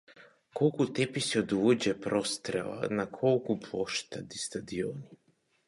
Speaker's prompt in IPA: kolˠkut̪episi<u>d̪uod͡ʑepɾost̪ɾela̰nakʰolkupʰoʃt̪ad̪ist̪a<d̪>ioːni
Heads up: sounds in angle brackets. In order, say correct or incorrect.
incorrect: o, correct

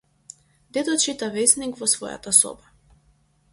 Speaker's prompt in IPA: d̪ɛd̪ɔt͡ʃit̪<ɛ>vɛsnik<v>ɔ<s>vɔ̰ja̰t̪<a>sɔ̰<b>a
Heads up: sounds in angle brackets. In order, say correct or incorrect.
incorrect: a, correct, correct, correct, correct

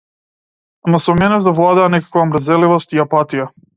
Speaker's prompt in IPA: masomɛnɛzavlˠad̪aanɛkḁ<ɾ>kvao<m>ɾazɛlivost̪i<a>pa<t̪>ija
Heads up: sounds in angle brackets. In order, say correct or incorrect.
incorrect: none, correct, correct, correct

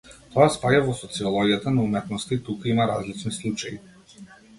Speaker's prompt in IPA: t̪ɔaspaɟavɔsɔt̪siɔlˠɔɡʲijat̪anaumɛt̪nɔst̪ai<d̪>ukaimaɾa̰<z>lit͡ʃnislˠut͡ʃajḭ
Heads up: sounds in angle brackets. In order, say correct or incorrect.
incorrect: t̪, correct

